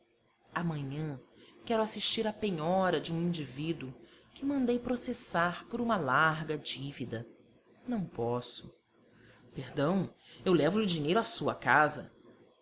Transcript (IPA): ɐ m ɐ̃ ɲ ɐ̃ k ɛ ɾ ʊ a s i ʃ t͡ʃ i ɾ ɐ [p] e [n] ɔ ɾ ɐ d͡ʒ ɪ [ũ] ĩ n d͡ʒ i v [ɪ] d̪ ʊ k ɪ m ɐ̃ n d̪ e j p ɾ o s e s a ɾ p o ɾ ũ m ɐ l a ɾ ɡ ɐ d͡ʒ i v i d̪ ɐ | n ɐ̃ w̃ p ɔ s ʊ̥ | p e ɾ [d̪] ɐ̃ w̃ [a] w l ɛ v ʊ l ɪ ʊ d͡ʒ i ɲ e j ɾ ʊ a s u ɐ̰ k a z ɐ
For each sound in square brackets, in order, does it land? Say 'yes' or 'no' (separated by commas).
yes, no, yes, no, yes, no